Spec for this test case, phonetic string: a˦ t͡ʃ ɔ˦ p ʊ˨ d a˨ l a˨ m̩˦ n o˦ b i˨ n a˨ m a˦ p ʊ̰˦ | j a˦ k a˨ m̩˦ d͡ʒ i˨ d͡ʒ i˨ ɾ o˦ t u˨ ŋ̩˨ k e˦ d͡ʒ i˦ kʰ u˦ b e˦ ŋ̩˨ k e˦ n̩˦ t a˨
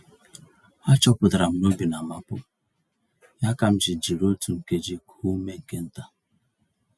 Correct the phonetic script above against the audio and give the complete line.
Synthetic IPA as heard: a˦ t͡ʃ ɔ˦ p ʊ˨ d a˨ ɾ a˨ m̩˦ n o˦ b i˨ n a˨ m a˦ p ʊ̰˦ | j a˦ k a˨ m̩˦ d͡ʒ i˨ d͡ʒ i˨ ɾ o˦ t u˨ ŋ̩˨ k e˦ d͡ʒ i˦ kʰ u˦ m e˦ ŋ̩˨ k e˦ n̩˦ t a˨